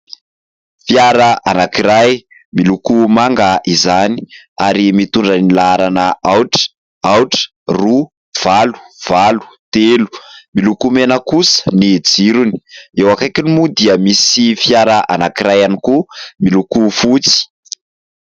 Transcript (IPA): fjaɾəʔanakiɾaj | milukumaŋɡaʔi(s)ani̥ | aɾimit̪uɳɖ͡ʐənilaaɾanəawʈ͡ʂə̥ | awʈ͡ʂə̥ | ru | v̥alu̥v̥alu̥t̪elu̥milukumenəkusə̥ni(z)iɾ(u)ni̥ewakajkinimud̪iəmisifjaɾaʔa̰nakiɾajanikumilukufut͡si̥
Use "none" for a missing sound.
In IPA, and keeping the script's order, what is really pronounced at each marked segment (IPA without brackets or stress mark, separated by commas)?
z, d͡z, u